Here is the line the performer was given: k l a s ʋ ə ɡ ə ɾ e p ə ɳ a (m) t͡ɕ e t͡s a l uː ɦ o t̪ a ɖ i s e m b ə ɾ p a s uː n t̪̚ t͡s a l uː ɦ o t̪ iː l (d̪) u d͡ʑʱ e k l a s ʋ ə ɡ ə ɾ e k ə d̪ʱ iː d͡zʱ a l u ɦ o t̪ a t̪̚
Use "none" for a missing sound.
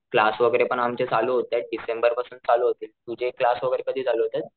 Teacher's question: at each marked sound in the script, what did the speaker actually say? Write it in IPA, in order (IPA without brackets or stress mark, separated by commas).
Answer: m, t̪